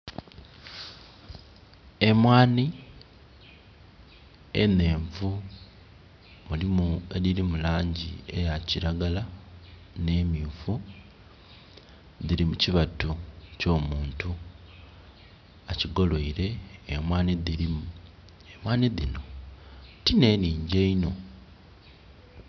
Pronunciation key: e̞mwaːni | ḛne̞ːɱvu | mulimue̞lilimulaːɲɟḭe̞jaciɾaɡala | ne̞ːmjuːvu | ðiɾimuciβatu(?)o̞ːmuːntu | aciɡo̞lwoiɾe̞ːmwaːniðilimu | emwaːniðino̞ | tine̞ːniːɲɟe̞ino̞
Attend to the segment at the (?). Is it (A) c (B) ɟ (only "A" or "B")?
A